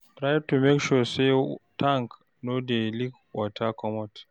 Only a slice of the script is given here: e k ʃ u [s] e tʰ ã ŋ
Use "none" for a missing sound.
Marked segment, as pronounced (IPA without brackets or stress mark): s